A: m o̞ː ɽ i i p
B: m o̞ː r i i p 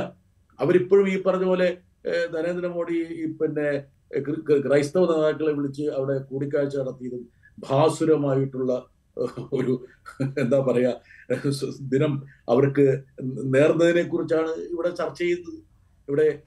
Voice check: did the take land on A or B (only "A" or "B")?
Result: A